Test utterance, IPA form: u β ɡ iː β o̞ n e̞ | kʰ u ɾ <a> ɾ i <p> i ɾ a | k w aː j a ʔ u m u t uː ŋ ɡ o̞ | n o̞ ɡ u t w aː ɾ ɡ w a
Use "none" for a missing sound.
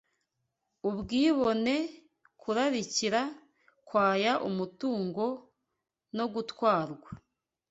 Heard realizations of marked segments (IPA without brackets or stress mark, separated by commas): a, c